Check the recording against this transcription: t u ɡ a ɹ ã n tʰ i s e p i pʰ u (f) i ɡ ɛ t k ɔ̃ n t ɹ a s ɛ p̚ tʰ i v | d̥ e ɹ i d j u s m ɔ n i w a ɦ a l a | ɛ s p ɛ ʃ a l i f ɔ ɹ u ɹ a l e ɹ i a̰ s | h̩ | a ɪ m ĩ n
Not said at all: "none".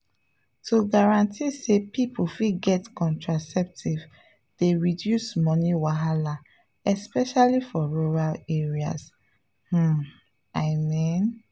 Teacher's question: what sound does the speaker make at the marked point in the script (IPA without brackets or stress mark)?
f